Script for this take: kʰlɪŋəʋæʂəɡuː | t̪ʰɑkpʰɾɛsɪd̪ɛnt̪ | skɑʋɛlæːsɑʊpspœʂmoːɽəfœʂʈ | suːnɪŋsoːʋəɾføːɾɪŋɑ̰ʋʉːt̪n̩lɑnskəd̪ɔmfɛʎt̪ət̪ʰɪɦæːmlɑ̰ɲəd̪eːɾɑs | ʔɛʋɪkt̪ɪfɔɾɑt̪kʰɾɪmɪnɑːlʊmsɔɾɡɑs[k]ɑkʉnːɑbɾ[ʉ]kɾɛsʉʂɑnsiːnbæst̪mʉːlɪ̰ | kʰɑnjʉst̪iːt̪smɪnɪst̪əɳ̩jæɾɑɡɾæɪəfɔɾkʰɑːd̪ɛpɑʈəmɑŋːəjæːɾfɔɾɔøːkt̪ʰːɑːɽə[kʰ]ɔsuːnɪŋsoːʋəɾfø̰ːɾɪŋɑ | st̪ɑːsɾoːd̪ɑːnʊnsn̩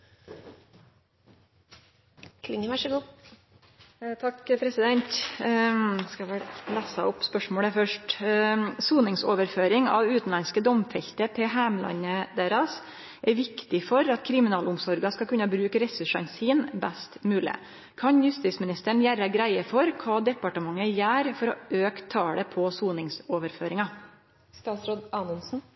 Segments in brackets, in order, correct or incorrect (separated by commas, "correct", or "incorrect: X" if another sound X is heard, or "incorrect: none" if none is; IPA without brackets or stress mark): correct, incorrect: ʉː, incorrect: pʰ